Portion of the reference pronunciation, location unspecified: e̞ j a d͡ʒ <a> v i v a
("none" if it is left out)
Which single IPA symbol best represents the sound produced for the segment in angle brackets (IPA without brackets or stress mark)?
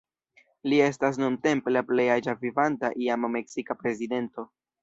a